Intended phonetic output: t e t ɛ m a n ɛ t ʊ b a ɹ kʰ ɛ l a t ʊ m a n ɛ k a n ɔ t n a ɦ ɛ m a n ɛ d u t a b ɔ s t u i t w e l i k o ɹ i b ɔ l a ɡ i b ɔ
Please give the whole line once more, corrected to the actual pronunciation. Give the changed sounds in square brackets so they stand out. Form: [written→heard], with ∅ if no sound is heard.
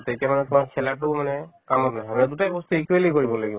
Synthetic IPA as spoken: t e t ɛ m a n ɛ t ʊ [b→m] a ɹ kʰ ɛ l a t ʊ m a n ɛ k a [n→m] ɔ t n a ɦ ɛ m a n ɛ d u t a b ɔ s t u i [t→k] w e l i k o ɹ i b ɔ l a ɡ i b ɔ